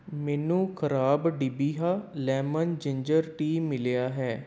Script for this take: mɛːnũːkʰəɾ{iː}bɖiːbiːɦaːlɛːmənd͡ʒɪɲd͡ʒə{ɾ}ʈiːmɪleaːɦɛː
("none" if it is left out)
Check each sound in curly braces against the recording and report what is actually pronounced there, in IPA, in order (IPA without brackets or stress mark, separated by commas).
aː, ɾ